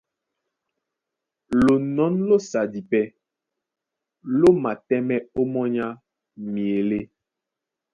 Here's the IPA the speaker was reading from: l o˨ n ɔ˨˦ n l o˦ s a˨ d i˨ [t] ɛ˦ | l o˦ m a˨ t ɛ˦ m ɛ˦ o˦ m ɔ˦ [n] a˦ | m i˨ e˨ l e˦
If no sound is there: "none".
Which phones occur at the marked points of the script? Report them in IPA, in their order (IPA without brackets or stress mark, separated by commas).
p, ɲ